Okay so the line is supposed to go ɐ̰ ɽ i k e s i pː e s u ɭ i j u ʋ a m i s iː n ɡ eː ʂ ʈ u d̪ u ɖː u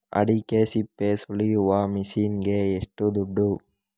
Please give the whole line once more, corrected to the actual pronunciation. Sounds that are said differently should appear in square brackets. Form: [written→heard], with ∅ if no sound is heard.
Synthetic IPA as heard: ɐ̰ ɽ i k e s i pː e s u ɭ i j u ʋ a m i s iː n ɡ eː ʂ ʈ u d̪ u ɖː u